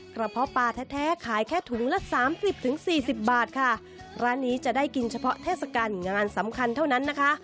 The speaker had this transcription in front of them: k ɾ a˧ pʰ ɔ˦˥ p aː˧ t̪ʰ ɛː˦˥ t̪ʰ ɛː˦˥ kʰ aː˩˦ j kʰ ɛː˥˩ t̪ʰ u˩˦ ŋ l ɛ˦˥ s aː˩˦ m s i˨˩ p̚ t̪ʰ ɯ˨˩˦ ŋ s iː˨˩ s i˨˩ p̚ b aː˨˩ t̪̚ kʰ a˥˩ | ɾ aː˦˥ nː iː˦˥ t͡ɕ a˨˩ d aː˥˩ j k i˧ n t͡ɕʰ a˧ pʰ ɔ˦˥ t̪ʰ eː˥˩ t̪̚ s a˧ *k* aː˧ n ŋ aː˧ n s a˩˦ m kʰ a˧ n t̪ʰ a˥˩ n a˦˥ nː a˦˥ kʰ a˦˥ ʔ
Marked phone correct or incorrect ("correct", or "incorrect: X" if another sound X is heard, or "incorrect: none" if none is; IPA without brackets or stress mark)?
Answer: correct